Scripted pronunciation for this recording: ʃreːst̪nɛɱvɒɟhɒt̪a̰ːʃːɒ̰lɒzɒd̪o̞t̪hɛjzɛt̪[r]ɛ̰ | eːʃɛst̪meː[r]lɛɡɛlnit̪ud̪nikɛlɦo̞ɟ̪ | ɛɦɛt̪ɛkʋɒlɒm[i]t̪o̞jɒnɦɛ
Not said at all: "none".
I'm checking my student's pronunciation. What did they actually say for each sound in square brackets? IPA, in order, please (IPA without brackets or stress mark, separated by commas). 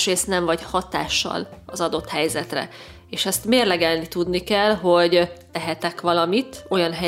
r, r, i